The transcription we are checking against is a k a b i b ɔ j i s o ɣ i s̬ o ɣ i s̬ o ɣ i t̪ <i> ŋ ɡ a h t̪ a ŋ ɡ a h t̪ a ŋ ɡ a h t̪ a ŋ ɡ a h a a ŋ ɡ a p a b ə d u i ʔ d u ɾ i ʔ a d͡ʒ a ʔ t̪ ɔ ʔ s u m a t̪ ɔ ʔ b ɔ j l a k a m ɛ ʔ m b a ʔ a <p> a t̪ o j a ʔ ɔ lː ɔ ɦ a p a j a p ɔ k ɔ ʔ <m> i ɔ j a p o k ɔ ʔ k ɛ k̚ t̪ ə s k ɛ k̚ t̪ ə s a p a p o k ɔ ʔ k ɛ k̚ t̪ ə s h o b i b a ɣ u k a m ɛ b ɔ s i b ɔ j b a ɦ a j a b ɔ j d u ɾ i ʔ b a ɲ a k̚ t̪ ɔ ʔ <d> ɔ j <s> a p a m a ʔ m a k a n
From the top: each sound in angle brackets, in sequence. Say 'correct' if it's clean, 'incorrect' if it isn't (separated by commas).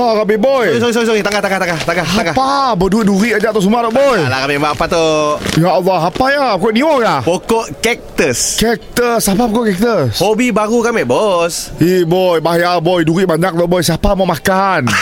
incorrect, correct, incorrect, incorrect, correct